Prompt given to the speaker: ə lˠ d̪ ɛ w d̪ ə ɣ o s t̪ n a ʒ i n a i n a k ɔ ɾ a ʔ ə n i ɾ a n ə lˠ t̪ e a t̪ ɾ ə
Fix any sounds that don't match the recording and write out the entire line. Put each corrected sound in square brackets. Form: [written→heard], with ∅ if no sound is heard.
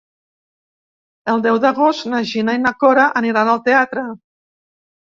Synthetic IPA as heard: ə lˠ d̪ ɛ w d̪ ə ɣ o s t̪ n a ʒ i n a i n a k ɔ ɾ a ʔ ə n i ɾ a n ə lˠ t̪ e a t̪ ɾ ə

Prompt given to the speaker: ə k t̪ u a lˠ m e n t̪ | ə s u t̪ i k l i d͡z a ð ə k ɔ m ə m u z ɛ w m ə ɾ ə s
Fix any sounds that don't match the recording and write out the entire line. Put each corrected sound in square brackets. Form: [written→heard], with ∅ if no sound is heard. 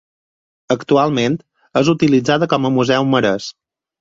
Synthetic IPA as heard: ə k t̪ u a lˠ m e n t̪ | ə [s→z] u t̪ i [k→∅] l i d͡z a ð ə k ɔ m ə m u z ɛ w m ə ɾ ə s

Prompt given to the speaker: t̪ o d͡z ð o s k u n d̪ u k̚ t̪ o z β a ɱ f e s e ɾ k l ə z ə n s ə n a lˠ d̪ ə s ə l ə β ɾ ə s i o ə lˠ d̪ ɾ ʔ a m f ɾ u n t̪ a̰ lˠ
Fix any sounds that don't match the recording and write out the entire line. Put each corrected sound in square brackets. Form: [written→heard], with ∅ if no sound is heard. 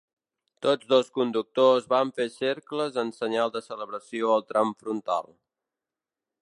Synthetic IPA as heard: t̪ o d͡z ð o s k u n d̪ u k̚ t̪ o z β a ɱ f e s e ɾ k l ə z ə n s ə [n→ɲ] a lˠ d̪ ə s ə l ə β ɾ ə s i o ə lˠ [d̪→t̪] ɾ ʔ a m f ɾ u n t̪ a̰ lˠ

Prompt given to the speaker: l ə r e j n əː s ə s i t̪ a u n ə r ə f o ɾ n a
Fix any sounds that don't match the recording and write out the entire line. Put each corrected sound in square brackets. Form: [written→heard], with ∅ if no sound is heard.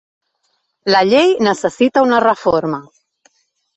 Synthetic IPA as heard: l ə [r→ʎ] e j n [əː→ə] s ə s i t̪ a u n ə r ə f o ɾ [n→m] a

